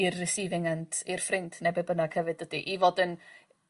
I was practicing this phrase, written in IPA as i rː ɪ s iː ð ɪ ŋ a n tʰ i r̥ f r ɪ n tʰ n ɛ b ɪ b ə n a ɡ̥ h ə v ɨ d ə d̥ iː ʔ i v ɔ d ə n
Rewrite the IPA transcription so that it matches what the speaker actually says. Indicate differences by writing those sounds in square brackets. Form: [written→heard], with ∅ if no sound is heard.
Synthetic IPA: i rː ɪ s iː [ð→v] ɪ ŋ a n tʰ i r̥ f r ɪ n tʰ n ɛ b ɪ b ə n a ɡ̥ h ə v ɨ d ə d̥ [iː→i] ʔ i v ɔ d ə n